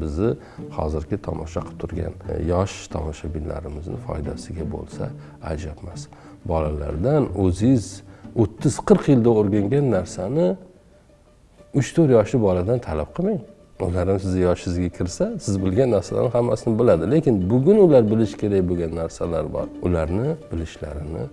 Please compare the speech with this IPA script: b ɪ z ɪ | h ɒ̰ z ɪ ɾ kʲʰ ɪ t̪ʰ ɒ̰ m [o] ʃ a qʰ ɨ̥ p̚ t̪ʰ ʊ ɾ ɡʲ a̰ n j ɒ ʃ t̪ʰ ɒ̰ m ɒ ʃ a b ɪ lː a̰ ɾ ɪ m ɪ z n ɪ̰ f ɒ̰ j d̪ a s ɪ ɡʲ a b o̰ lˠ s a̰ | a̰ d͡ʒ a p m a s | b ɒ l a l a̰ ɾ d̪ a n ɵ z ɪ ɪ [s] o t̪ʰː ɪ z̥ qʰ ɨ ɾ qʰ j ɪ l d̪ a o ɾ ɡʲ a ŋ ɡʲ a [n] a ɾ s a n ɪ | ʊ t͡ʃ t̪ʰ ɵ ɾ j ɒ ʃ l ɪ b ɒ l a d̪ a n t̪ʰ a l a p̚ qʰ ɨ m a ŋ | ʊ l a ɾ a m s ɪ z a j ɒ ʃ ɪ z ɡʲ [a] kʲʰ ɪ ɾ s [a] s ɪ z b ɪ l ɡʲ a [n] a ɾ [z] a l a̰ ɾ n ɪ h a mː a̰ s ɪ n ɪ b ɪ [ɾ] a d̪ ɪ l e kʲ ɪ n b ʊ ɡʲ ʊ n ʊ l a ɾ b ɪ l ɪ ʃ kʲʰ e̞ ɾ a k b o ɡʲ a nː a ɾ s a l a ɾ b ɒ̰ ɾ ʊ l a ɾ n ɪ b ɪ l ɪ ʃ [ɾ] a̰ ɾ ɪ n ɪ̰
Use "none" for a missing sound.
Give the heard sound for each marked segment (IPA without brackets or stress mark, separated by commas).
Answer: ɒ, z, nː, a, a, nː, s, l, l